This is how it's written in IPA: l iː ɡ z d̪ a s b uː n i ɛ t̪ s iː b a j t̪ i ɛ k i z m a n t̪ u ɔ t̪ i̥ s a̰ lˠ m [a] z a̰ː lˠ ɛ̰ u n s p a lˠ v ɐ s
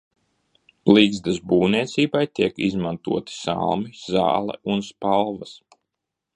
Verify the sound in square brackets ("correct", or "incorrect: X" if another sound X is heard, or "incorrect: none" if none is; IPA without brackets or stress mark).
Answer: incorrect: i